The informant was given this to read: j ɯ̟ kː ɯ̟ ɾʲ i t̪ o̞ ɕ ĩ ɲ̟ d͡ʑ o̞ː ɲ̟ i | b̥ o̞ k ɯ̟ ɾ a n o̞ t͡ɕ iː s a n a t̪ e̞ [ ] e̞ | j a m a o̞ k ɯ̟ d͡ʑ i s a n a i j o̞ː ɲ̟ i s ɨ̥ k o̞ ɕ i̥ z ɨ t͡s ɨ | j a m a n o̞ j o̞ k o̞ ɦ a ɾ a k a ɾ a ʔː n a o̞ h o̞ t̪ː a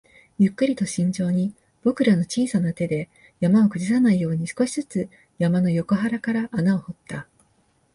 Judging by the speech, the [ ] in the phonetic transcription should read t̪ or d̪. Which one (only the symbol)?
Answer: d̪